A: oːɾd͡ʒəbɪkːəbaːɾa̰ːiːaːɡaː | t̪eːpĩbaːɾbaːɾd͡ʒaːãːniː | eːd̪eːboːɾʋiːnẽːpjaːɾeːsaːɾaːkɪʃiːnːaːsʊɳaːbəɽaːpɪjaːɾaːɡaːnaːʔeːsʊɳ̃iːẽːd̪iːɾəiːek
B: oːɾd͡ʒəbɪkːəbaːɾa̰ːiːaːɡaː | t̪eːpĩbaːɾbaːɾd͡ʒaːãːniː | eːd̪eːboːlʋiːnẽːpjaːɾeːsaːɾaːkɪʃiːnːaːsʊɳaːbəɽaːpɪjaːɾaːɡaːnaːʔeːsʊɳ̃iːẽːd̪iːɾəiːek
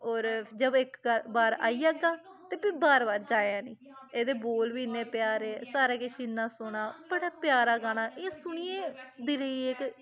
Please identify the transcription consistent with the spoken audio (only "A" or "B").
B